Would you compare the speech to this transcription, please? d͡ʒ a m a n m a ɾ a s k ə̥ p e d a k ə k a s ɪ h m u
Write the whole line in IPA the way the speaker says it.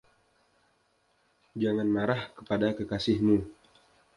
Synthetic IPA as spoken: d͡ʒ a ŋ a n m a ɾ a h k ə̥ p a d a k ə k a s ɪ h m u